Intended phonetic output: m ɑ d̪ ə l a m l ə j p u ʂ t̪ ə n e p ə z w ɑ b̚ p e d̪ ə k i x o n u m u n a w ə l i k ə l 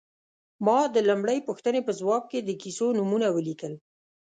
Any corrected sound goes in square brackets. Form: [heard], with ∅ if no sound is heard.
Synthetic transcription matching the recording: m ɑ d̪ ə l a m [ɽ] ə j p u [x] t̪ ə n e p ə z w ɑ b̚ [k] e d̪ ə k i [s] o n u m u n a w ə l i k ə l